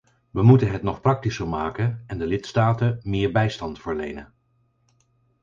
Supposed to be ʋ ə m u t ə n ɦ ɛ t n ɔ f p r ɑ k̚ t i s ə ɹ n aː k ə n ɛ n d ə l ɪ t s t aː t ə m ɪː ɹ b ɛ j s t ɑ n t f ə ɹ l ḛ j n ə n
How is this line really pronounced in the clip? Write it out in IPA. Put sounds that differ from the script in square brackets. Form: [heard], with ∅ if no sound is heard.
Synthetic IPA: ʋ ə m u t ə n ɦ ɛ t n ɔ [χ] p r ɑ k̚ t i s ə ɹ [m] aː k ə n ɛ n d ə l ɪ t s t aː t ə m ɪː ɹ b ɛ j s t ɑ n t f ə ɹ l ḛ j n ə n